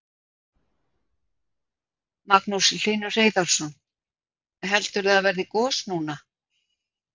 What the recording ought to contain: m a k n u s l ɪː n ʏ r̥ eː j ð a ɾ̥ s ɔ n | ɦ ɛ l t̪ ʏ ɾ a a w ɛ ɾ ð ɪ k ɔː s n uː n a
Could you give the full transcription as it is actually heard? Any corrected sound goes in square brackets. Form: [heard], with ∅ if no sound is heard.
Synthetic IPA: m a k n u s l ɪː n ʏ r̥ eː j ð a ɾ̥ s ɔ n | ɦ ɛ l t̪ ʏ ɾ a a [v] ɛ ɾ ð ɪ k ɔː s n uː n a